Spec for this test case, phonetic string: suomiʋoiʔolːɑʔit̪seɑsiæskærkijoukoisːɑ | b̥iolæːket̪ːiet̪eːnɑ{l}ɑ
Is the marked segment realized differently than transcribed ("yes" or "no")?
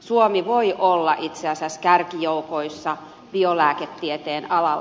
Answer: no